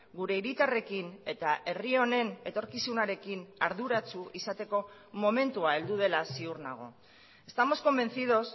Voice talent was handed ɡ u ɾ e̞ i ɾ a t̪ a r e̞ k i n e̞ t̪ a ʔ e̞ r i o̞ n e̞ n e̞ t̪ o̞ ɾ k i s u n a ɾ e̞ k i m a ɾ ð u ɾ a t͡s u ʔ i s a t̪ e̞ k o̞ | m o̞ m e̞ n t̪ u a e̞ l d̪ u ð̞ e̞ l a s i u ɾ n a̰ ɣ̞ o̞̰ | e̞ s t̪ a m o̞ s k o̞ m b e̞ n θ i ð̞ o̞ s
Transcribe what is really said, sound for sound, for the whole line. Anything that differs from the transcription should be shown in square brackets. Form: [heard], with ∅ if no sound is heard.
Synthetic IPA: ɡ u ɾ e̞ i ɾ [i] t̪ a r e̞ k i n e̞ t̪ a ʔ e̞ r i o̞ n e̞ n e̞ t̪ o̞ ɾ k i s u n a ɾ e̞ k i [n] a ɾ ð u ɾ a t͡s u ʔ i s a t̪ e̞ k o̞ | m o̞ m e̞ n t̪ u a e̞ l d̪ u ð̞ e̞ l a s i u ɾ n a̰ ɣ̞ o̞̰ | e̞ s t̪ a m o̞ s k o̞ m b e̞ n θ i ð̞ o̞ s